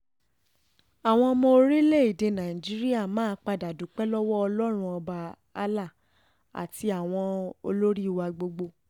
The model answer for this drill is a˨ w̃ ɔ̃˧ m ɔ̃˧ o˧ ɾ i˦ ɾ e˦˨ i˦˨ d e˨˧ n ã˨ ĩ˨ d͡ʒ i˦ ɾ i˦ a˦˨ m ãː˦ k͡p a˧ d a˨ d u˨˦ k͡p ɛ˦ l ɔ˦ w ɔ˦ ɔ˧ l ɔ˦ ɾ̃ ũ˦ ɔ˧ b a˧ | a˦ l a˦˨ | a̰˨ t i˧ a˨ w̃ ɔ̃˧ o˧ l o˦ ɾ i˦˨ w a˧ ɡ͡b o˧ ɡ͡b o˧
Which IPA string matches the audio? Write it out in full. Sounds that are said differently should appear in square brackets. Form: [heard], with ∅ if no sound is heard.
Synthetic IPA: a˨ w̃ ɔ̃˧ m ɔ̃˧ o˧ ɾ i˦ [l] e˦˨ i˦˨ d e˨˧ n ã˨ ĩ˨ d͡ʒ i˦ ɾ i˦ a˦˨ m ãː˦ k͡p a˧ d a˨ d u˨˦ k͡p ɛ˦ l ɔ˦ w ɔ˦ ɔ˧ l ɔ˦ ɾ̃ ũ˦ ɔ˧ b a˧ | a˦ l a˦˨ | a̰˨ t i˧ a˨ w̃ ɔ̃˧ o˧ l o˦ ɾ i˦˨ w a˧ ɡ͡b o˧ ɡ͡b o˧